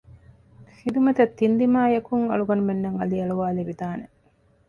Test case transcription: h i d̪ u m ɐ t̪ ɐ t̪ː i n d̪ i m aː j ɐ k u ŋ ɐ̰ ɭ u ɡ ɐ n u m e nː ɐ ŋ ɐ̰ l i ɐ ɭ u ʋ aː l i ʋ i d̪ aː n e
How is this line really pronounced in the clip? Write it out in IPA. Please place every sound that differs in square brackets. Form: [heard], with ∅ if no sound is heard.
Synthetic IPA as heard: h i d̪ u m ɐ t̪ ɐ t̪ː i n d̪ i m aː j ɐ k u ŋ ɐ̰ ɭ u ɡ ɐ n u m e nː ɐ ŋ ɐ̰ l i ɐ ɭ u ʋ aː l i ʋ i d̪ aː n e